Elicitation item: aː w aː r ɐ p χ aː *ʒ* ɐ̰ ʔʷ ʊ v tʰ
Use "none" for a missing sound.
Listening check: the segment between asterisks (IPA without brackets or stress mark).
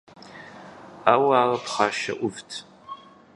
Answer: ʃ